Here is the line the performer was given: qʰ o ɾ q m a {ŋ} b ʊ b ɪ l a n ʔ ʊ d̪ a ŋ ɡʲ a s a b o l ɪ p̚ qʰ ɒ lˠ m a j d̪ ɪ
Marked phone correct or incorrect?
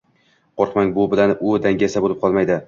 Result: correct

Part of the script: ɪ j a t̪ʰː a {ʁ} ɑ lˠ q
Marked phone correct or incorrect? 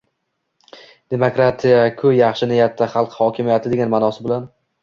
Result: incorrect: χ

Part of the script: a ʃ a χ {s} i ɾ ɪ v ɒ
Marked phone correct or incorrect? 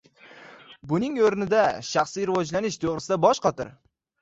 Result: correct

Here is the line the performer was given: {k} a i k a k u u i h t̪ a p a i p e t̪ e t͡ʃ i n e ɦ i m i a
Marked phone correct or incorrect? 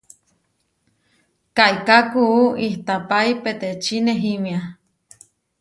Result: correct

